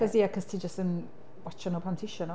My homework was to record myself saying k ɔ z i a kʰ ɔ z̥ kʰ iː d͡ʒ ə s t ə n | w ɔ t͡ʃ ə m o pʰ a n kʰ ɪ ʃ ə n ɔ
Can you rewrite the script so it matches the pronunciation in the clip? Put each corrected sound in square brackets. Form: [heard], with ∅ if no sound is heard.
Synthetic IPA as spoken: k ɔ z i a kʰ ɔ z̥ [tʰ] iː d͡ʒ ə s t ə n | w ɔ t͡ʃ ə [n] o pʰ a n [tʰ] ɪ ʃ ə n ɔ